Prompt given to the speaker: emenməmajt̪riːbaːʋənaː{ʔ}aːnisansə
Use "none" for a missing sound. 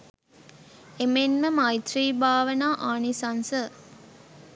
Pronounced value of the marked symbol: ʔ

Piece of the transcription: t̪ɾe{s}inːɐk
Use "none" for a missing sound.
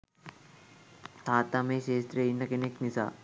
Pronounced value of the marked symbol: none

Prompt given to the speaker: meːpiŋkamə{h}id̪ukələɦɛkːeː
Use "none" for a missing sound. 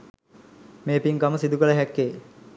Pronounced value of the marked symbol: s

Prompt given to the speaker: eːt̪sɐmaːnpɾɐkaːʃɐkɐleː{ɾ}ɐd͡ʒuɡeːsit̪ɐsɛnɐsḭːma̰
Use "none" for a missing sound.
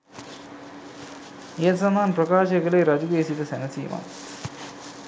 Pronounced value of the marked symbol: ɾ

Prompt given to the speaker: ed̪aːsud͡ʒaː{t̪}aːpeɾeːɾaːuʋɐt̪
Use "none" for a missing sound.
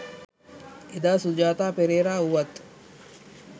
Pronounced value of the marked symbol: t̪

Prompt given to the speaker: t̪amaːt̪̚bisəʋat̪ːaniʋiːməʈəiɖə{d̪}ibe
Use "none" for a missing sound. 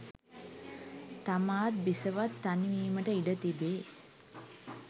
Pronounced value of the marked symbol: t̪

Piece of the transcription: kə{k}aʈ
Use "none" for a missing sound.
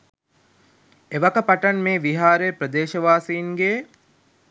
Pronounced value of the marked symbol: p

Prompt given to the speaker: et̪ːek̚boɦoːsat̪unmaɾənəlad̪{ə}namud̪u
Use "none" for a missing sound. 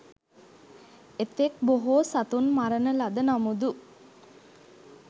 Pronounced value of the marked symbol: ə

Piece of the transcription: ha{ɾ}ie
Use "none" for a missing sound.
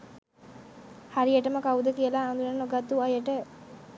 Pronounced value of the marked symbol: ɾ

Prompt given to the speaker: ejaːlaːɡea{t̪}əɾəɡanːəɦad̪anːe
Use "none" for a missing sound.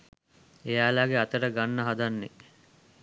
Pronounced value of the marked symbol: t̪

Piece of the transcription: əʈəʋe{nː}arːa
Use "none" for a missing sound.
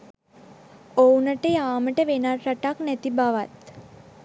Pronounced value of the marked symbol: n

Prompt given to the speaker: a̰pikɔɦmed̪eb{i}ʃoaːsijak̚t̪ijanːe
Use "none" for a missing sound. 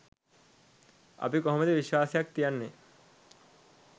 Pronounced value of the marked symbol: i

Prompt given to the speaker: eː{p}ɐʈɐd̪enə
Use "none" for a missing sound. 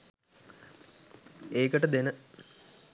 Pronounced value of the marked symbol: k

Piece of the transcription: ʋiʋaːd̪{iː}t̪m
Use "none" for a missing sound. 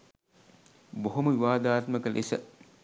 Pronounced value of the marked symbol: aː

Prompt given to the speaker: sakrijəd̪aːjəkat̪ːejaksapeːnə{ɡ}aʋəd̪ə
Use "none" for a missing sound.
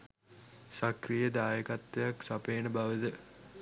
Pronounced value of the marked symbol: b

